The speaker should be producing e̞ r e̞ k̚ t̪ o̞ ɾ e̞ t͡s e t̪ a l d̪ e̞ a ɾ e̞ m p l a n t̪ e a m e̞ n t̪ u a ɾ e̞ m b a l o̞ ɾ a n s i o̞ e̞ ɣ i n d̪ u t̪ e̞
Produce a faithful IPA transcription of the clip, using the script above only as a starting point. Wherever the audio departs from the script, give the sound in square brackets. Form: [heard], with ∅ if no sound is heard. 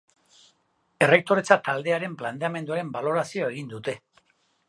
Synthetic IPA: e̞ r e̞ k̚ t̪ o̞ ɾ e̞ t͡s [a] t̪ a l d̪ e̞ a ɾ e̞ m p l a n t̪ e a m e̞ n [d̪] u a ɾ e̞ m b a l o̞ ɾ a [∅] s i o̞ e̞ ɣ i n d̪ u t̪ e̞